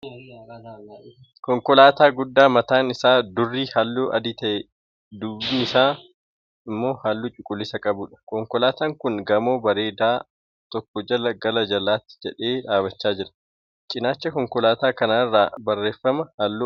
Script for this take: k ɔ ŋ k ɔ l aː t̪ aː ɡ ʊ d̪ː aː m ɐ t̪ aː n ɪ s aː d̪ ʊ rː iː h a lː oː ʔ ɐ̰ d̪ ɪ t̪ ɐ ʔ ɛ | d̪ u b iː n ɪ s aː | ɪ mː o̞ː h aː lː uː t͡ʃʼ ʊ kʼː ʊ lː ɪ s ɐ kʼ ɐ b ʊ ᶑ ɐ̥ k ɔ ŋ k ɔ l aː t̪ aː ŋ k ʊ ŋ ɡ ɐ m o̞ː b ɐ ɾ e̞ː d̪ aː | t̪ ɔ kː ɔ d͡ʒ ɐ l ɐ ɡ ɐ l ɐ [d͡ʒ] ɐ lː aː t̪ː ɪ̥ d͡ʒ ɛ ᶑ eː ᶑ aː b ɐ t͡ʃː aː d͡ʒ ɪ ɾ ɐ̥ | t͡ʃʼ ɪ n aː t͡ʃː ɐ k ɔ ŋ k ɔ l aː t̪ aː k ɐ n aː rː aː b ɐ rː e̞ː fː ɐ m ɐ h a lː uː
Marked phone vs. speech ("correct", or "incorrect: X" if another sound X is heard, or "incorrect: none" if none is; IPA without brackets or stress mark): correct